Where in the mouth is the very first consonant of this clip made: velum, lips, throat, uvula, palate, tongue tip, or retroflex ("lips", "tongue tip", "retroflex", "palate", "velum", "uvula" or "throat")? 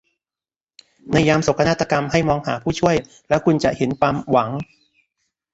tongue tip